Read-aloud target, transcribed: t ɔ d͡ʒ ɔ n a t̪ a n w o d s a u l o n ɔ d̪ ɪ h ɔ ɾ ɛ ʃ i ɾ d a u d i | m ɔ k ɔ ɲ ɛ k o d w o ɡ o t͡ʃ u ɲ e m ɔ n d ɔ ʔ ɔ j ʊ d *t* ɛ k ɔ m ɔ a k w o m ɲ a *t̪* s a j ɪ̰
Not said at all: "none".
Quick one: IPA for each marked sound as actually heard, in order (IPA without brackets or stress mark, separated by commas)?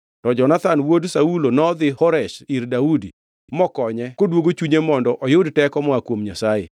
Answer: t, none